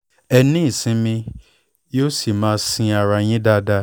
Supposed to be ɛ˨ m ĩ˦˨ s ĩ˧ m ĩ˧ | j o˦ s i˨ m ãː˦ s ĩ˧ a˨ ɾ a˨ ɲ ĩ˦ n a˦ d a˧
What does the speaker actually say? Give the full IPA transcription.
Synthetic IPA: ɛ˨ n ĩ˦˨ s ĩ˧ m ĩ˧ | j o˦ s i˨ m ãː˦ s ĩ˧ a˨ ɾ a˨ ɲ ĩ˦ d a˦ d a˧